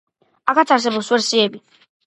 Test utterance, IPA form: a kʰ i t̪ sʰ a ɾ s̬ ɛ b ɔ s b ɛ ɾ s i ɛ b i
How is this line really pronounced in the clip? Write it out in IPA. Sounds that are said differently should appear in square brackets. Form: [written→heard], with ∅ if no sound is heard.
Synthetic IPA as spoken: a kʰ [i→a] t̪ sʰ a ɾ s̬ ɛ b ɔ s [b→w] ɛ ɾ s i ɛ b i